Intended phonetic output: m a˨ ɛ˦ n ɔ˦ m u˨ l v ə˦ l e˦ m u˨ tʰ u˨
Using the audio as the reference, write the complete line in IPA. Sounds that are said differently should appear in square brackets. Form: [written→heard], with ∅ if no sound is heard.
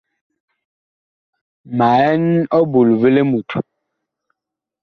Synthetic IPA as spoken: m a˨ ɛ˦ n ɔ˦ [m→b] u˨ l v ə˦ l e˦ m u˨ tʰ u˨